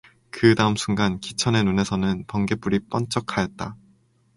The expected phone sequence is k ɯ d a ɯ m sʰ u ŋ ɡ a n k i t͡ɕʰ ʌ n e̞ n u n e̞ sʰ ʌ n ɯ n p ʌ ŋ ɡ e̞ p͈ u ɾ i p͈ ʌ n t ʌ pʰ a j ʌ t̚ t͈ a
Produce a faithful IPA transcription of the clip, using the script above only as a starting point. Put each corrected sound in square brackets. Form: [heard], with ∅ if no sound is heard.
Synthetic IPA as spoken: k ɯ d a ɯ m sʰ u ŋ ɡ a n k i t͡ɕʰ ʌ n e̞ n u n e̞ sʰ ʌ n ɯ n p ʌ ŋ ɡ e̞ p͈ u ɾ i p͈ ʌ n [t͡ɕ͈] ʌ [kʰ] a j ʌ t̚ t͈ a